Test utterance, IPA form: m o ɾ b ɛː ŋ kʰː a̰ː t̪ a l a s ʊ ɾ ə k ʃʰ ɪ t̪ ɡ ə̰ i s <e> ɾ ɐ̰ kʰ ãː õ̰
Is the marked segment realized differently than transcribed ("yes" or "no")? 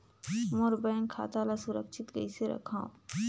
no